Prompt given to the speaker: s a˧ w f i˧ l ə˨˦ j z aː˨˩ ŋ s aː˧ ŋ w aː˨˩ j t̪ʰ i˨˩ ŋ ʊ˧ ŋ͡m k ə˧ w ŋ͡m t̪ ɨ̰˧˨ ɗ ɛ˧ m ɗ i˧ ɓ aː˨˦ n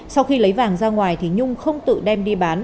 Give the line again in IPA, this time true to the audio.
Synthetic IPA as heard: s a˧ w x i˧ l ə˨˦ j v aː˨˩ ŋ z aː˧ ŋ w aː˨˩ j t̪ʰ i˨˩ ɲ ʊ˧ ŋ͡m x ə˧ w ŋ͡m t̪ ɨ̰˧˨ ɗ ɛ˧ m ɗ i˧ ɓ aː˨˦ n

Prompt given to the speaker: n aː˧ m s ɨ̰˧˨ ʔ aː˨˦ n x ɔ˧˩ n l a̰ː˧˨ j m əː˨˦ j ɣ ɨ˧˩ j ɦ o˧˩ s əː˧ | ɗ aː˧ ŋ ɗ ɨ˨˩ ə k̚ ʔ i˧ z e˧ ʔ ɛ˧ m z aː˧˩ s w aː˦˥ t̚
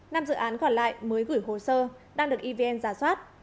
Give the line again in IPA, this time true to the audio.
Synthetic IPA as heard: n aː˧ m z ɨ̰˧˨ ʔ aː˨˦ n k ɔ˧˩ n l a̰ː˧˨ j m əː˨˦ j ɣ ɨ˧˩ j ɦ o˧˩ s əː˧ | ɗ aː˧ ŋ ɗ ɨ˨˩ ə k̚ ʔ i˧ v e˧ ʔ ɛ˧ n z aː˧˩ s w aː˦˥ t̚

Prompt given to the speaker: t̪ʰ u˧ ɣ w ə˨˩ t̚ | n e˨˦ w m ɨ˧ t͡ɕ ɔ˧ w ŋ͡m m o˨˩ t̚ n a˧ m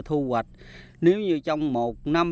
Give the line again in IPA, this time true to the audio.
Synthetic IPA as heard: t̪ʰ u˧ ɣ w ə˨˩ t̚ | n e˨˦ w ɲ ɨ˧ t͡ɕ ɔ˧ w ŋ͡m m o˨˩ t̚ n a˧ m

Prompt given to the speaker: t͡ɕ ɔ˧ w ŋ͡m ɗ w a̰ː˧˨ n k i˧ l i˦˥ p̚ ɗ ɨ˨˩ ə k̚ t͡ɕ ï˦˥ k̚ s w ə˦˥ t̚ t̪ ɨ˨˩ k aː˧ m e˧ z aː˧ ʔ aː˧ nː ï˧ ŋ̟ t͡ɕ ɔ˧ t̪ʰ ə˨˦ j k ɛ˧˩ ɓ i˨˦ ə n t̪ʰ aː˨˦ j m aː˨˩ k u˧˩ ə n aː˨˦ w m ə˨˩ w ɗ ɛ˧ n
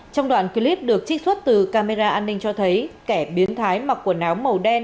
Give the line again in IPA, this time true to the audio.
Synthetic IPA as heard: t͡ɕ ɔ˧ w ŋ͡m ɗ w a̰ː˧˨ n k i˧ l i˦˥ p̚ ɗ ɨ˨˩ ə k̚ t͡ɕ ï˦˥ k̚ s w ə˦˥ t̚ t̪ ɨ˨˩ k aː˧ m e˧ z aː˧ ʔ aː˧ nː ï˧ ŋ̟ t͡ɕ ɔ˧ t̪ʰ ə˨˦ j k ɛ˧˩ ɓ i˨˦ ə n t̪ʰ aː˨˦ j m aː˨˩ k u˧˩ ə n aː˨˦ w m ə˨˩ w ɗ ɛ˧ n

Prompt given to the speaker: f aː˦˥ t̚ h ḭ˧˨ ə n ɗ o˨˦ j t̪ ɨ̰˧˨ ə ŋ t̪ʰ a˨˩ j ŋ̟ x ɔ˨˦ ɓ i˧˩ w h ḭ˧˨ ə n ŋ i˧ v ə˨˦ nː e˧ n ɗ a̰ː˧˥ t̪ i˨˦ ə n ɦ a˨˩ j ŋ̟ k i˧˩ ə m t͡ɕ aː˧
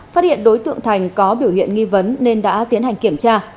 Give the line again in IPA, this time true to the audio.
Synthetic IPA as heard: f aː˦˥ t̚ h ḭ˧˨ ə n ɗ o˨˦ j t̪ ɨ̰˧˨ ə ŋ t̪ʰ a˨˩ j ŋ̟ k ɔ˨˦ ɓ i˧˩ w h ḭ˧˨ ə n ŋ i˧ v ə˨˦ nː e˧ n ɗ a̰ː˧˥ t̪ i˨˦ ə n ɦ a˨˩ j ŋ̟ k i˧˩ ə m t͡ɕ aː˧

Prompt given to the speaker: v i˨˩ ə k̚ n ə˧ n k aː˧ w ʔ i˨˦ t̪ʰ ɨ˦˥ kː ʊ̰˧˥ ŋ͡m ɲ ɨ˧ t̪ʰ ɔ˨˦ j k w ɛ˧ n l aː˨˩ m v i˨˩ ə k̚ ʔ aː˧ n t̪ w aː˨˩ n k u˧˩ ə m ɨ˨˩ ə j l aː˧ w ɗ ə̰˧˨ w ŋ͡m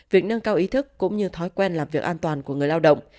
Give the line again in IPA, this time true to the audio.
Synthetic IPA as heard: v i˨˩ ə k̚ n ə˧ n k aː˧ w ʔ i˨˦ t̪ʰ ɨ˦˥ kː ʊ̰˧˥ ŋ͡m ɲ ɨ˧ t̪ʰ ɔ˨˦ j k w ɛ˧ n l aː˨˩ m v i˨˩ ə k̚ ʔ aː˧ n t̪ w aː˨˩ n k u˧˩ ə ŋ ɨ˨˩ ə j l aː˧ w ɗ ə̰˧˨ w ŋ͡m

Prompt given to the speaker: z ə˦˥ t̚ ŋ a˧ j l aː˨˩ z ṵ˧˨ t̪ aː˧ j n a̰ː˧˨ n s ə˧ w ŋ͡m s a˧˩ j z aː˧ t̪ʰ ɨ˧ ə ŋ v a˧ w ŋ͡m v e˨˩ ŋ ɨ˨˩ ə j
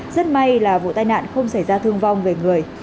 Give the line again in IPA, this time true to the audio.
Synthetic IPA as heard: z ə˦˥ t̚ m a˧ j l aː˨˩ v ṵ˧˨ t̪ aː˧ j n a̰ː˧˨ n x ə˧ w ŋ͡m s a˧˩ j z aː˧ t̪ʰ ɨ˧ ə ŋ v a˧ w ŋ͡m v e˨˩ ŋ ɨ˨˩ ə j

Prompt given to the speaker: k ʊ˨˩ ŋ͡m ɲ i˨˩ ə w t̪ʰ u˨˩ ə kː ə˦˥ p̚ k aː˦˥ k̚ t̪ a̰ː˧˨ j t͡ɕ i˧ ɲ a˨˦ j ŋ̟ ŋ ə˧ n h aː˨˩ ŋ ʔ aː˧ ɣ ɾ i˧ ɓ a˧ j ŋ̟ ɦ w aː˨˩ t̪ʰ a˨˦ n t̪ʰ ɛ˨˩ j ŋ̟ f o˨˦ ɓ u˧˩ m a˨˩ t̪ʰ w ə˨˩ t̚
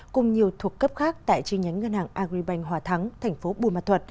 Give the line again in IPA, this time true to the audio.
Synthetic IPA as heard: k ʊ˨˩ ŋ͡m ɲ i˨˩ ə w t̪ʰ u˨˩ ə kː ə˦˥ p̚ x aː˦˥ k̚ t̪ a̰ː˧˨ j t͡ɕ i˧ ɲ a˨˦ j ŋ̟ ŋ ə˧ n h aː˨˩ ŋ ʔ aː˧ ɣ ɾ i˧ ɓ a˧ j ŋ̟ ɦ w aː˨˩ t̪ʰ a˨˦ ŋ t̪ʰ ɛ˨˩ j ŋ̟ f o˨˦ ɓ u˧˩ m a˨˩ t̪ʰ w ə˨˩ t̚

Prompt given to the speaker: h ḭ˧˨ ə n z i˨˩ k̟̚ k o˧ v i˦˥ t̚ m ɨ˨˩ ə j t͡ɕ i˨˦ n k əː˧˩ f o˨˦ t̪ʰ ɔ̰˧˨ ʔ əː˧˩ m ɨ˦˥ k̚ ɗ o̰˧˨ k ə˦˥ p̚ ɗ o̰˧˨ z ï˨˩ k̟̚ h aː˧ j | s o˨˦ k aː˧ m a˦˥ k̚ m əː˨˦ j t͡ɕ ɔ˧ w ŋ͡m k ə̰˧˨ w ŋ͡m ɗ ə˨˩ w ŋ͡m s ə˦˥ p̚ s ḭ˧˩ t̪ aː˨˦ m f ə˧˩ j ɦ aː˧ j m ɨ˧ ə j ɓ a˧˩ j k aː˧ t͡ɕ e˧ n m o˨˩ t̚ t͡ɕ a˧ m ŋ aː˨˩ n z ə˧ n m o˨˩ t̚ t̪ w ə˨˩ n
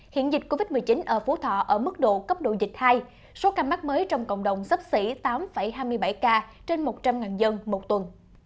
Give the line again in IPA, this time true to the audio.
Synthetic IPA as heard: h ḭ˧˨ ə n z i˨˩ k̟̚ k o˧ v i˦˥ t̚ m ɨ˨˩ ə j t͡ɕ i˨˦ n ʔ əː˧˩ f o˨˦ t̪ʰ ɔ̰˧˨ ʔ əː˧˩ m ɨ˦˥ k̚ ɗ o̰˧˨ k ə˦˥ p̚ ɗ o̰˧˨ z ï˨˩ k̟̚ h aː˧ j | s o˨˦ k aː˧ m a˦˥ k̚ m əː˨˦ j t͡ɕ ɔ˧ w ŋ͡m k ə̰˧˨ w ŋ͡m ɗ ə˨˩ w ŋ͡m s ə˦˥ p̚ s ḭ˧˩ t̪ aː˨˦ m f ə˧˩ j ɦ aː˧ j m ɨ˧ ə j ɓ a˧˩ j k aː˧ t͡ɕ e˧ n m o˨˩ t̚ t͡ɕ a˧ m ŋ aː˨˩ n z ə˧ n m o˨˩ t̚ t̪ w ə˨˩ n

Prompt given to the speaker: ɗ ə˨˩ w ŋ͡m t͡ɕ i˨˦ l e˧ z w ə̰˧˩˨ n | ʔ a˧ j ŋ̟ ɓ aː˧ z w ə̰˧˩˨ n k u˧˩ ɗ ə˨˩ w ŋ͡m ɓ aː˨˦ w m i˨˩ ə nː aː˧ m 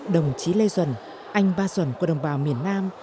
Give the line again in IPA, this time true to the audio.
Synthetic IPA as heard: ɗ ə˨˩ w ŋ͡m t͡ɕ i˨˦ l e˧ z w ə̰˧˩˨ n | ʔ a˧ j ŋ̟ ɓ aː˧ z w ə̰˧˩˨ n k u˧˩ ɗ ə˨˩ w ŋ͡m ɓ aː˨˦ w m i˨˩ ə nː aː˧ m

